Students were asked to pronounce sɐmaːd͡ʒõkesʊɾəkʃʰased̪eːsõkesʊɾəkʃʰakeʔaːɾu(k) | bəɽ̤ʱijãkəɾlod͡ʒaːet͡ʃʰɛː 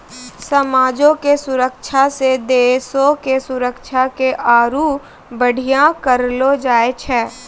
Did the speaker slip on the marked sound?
yes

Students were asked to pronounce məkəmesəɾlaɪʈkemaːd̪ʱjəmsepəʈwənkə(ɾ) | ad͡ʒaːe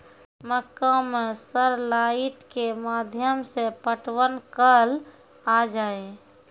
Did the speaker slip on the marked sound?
yes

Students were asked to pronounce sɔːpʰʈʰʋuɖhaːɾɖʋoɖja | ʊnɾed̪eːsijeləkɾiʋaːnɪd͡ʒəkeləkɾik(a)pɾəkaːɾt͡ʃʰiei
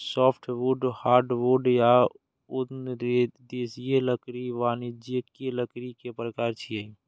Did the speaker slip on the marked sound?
yes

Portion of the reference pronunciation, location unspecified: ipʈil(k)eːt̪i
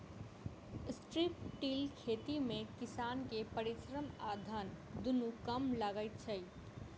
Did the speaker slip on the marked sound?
yes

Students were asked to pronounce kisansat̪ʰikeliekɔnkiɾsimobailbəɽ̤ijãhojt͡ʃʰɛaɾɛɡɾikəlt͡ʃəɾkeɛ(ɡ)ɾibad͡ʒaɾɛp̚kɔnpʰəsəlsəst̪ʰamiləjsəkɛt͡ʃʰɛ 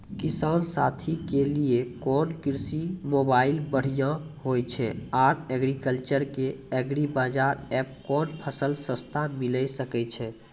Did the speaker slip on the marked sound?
no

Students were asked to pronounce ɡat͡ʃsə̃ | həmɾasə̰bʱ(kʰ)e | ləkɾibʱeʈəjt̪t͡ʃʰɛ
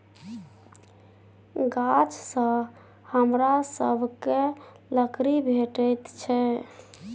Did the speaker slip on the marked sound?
yes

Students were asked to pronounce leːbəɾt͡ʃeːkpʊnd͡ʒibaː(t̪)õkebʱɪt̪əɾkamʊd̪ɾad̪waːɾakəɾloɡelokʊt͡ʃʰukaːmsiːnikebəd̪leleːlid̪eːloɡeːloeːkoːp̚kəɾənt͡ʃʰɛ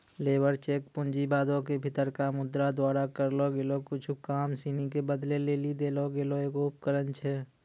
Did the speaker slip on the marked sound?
yes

